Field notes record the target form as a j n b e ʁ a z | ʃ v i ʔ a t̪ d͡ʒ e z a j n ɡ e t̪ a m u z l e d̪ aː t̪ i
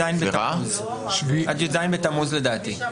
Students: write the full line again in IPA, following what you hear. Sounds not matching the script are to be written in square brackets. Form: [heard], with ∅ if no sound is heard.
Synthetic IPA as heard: a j n b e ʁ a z | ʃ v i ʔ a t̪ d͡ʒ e z a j n [b] e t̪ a m u z l e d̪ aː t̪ i

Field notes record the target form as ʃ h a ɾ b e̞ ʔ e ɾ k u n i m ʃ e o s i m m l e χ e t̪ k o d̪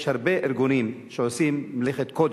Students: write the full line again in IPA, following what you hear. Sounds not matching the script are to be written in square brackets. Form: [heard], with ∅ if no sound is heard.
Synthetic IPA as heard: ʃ h a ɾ b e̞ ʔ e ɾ [ɡ] u n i m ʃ e o s i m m l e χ e t̪ k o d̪

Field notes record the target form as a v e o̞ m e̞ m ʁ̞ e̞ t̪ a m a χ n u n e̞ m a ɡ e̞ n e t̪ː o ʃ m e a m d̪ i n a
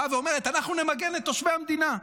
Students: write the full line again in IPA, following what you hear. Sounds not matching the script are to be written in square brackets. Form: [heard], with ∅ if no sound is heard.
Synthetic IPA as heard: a v e o̞ m e̞ [∅] ʁ̞ e̞ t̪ a [n] a χ n u n e̞ m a ɡ e̞ n e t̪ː o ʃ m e a m d̪ i n a

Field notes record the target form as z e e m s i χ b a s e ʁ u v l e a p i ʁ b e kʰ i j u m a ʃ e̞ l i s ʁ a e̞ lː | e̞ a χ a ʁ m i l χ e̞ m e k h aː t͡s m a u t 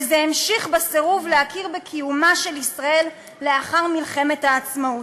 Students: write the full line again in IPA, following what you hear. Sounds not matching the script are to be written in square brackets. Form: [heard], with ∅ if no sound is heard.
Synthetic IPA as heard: z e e m [ʃ] i χ b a s e ʁ u v l e a [k] i ʁ b e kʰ i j u m a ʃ e̞ l i s ʁ a e̞ lː | e̞ a χ a ʁ m i l χ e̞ m e [t] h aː t͡s m a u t

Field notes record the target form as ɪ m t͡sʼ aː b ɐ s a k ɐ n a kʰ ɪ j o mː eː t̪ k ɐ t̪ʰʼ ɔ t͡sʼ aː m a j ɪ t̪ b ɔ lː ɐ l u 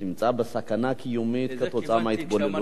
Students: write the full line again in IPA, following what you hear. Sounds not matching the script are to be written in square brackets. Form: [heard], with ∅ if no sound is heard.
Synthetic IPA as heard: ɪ m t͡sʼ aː b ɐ s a k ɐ n a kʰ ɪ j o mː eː t̪ k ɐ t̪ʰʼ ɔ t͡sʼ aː m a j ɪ t̪ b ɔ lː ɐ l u

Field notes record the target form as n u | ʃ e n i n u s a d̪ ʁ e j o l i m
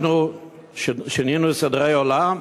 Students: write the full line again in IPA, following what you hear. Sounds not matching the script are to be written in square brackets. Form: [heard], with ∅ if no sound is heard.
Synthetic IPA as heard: n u | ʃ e n i n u s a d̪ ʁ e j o l [a] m

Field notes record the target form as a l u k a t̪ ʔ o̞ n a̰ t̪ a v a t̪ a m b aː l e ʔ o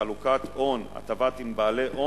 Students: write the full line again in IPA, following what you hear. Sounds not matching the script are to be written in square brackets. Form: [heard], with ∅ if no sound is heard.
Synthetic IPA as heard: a l u k a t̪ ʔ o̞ n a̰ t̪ a v a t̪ [i] m b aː l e ʔ o

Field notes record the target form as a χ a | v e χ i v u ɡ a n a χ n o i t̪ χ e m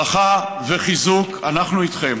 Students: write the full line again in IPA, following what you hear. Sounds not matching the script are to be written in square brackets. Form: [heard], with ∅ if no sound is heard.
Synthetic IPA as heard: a χ a | v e χ i [z] u [k] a n a χ n [u] i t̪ χ e m

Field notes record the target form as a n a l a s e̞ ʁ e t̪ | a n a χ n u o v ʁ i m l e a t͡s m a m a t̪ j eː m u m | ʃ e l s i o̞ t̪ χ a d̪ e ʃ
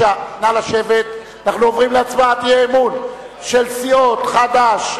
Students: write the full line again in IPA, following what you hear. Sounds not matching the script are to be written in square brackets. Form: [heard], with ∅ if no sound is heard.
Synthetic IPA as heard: a n a l a [ʃ] e̞ [v] e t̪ | a n a χ n u o v ʁ i m l e a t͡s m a [∅] a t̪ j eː m u [n] | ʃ e l s i o̞ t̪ χ a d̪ [a] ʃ

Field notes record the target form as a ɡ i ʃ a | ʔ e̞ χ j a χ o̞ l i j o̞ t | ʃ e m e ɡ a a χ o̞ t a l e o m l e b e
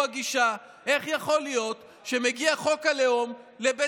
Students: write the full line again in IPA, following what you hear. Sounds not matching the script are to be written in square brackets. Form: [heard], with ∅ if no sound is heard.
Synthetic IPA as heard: a ɡ i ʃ a | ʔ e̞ χ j a χ o̞ l i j o̞ t | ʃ e m e ɡ [i] a χ o̞ [k] a l e o m l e b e

